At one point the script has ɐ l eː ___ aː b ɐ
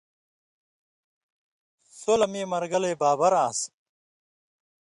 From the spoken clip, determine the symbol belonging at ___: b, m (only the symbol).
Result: b